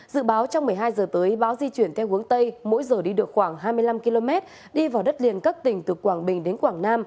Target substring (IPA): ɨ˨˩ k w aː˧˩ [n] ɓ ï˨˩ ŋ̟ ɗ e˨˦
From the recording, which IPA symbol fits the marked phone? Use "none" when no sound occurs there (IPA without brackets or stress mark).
ŋ